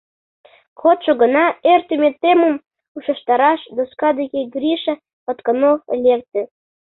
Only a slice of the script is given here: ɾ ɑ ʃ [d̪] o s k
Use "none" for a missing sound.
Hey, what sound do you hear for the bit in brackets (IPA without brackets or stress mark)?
d̪